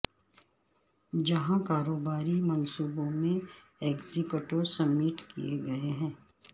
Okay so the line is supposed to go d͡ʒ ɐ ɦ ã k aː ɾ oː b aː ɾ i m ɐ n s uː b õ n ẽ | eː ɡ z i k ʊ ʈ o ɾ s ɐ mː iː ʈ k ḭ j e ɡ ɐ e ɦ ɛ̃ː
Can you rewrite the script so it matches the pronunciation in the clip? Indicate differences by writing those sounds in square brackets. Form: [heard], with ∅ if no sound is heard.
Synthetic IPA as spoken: d͡ʒ ɐ ɦ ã k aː ɾ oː b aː ɾ i m ɐ n s uː b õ [m] ẽ | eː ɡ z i k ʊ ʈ o ɾ s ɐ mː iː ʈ k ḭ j e ɡ ɐ e ɦ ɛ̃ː